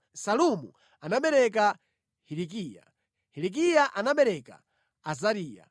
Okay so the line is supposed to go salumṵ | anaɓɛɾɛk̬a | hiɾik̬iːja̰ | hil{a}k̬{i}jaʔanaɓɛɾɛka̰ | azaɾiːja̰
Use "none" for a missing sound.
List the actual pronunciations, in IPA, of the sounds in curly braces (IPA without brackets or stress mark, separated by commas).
i, i